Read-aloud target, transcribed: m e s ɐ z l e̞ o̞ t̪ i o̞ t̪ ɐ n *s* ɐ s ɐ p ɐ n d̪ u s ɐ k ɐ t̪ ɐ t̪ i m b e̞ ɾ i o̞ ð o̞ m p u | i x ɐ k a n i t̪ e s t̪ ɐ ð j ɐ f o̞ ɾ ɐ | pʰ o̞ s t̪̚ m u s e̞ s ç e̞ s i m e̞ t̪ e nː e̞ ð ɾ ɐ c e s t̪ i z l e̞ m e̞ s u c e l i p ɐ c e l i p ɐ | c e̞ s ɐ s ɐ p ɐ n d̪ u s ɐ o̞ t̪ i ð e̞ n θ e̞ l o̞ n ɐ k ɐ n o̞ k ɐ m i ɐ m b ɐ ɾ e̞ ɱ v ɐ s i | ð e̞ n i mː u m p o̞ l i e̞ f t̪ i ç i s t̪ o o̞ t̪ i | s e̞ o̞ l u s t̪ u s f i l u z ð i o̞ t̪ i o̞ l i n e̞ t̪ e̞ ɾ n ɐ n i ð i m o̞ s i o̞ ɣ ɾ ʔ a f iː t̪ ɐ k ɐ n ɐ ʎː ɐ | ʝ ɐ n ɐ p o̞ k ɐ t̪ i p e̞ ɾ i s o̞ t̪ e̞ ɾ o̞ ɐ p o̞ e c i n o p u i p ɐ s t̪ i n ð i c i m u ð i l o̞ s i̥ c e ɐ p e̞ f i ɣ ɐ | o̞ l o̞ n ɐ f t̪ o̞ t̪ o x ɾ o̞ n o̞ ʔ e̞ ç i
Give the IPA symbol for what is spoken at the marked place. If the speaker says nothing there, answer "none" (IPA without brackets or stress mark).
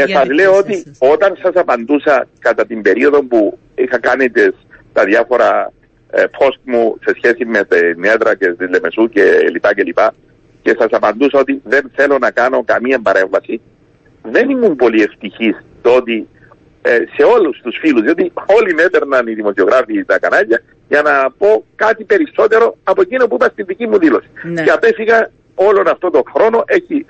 s